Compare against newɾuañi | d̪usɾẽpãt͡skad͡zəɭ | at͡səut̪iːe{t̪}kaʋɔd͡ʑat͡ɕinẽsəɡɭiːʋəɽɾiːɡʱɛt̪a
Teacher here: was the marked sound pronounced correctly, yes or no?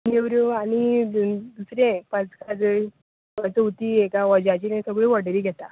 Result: no